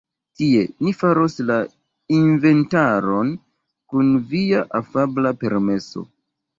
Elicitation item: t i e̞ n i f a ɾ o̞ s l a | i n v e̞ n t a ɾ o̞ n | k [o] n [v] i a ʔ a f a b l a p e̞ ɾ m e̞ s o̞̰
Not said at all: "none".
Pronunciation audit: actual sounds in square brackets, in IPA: u, v

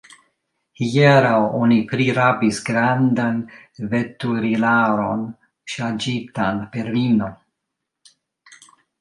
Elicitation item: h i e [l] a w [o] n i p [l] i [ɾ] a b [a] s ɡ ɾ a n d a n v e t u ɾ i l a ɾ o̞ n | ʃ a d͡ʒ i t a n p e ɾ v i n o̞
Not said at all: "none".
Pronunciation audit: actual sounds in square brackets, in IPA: ɾ, o, ɾ, ɾ, i

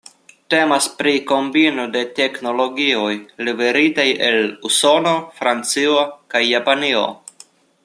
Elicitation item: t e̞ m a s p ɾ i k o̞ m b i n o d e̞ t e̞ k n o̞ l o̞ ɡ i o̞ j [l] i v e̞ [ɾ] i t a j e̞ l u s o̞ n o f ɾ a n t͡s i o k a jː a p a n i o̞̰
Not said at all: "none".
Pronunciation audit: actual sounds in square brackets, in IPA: l, ɾ

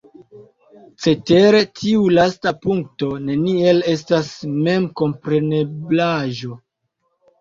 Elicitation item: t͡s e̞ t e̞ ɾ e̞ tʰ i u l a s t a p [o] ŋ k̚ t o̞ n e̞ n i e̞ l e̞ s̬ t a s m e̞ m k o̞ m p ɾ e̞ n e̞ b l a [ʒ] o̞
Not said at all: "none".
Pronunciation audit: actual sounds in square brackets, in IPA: u, ʒ

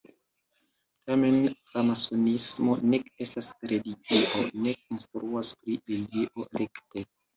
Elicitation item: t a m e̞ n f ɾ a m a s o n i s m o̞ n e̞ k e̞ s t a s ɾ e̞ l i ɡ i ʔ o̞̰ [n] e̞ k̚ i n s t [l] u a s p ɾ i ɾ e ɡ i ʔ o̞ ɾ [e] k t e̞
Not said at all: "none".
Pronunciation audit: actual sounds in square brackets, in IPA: n, ɾ, e

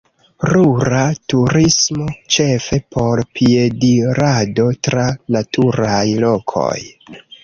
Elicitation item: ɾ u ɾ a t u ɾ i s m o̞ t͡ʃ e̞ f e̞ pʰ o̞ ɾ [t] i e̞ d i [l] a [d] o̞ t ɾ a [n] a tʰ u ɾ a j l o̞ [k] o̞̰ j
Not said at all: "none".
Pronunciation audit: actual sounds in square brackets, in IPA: p, ɾ, d, n, kʰ

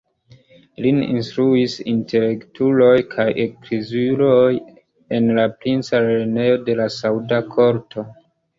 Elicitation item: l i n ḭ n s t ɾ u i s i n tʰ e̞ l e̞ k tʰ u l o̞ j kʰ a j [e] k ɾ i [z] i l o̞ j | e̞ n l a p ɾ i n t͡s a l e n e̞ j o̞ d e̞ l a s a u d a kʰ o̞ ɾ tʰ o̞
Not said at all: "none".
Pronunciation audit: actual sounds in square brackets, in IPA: e, z

